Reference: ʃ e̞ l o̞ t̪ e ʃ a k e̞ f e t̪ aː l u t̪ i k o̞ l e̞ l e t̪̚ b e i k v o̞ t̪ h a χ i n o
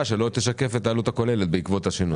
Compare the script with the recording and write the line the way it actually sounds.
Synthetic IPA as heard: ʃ e̞ l o̞ t̪ e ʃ a k e̞ f e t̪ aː l u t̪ a k o̞ l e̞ l e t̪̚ b e i k v o̞ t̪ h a ʃ i n u